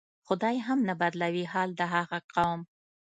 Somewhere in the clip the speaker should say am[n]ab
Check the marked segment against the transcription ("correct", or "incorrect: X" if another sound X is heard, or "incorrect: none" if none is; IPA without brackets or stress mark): correct